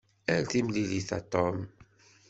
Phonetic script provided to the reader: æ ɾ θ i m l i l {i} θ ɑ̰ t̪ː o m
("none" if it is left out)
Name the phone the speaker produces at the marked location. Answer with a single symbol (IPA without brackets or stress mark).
i